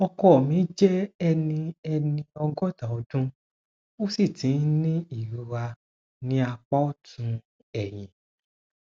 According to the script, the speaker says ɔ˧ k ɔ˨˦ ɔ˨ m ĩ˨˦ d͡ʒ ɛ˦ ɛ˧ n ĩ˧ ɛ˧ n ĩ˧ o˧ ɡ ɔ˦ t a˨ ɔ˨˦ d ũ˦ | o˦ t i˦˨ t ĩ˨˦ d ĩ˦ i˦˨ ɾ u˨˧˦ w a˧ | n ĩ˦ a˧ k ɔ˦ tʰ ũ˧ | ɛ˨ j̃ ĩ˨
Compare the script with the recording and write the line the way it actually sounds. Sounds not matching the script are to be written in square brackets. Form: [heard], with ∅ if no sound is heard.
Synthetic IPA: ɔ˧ k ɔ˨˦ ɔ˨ m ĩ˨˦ d͡ʒ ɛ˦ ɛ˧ n ĩ˧ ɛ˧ n ĩ˧ [ɔ˧] ɡ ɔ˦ t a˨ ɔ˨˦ d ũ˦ | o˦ [s] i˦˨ t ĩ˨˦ [n] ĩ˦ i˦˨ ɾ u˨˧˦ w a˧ | n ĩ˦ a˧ [k͡p] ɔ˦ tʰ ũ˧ | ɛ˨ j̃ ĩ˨

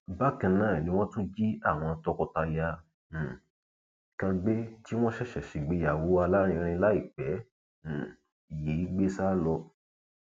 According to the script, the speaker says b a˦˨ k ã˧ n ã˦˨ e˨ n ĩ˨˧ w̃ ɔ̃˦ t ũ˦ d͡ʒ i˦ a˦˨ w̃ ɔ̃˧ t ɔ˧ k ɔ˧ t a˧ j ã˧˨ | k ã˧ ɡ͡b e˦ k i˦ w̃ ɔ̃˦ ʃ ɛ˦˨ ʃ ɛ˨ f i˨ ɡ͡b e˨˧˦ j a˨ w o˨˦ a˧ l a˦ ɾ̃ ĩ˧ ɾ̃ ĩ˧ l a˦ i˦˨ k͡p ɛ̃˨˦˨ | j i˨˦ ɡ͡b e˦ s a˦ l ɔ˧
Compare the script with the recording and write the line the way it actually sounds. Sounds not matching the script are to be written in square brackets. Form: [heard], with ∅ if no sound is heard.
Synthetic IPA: b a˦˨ k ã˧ n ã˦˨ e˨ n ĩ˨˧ w̃ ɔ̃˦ t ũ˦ d͡ʒ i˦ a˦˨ w̃ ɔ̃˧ t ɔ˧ k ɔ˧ t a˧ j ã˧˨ | k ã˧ ɡ͡b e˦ [t] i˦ w̃ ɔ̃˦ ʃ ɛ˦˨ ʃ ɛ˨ [ʃ] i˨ ɡ͡b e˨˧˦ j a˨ w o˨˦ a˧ l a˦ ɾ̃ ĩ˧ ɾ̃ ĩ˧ l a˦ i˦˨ k͡p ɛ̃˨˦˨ | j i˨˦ ɡ͡b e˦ s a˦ l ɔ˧

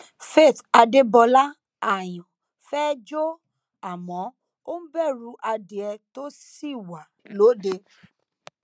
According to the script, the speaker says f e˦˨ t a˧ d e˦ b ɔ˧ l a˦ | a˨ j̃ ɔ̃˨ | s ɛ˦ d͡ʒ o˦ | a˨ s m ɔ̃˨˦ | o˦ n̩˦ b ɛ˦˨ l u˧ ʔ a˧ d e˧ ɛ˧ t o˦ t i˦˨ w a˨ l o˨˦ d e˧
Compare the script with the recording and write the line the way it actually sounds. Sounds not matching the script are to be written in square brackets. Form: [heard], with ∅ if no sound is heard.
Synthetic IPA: f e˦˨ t a˧ d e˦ b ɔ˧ l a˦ | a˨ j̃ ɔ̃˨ | [f] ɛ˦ d͡ʒ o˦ | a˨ [∅] m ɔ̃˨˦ | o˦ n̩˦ b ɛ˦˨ [ɾ] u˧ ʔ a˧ d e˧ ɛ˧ t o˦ [s] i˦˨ w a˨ l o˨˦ d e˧

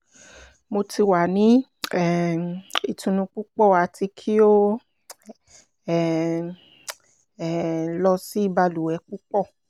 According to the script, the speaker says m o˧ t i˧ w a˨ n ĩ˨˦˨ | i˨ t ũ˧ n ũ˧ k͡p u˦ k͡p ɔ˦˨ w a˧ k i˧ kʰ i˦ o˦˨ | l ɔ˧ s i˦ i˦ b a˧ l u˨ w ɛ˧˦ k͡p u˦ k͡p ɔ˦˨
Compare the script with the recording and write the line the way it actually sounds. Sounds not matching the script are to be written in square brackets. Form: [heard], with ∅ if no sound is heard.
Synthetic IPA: m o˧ t i˧ w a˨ n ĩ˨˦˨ | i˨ t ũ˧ n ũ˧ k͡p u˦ k͡p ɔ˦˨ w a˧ [t] i˧ kʰ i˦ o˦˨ | l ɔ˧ s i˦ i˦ b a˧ l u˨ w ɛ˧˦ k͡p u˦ k͡p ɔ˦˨

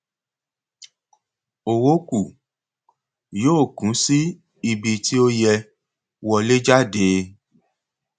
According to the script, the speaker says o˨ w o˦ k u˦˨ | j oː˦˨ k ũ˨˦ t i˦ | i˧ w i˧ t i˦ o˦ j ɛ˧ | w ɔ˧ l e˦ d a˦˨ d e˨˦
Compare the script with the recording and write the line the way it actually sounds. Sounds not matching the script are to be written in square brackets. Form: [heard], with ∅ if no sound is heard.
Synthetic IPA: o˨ w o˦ k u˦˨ | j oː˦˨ k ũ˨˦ [s] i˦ | i˧ [b] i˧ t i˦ o˦ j ɛ˧ | w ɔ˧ l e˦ [d͡ʒ] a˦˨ d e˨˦

